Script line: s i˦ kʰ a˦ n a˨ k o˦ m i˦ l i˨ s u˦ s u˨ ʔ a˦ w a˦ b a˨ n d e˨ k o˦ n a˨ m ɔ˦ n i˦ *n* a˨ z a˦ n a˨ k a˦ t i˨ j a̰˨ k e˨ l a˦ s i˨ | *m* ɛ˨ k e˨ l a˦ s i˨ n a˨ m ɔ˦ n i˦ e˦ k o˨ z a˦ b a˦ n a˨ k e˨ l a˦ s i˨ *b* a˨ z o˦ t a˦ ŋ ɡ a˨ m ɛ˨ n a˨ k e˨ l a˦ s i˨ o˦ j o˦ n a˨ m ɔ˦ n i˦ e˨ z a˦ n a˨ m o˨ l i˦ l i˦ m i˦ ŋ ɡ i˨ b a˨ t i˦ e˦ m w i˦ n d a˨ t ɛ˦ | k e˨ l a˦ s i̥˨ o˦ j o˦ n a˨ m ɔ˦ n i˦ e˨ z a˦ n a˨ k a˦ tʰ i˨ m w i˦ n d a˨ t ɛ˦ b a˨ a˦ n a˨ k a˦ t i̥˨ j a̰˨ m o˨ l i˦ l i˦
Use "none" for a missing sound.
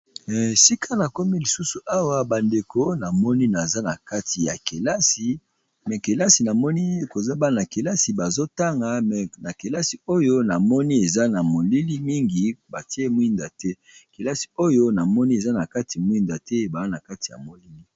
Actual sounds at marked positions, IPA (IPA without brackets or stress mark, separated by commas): n, m, b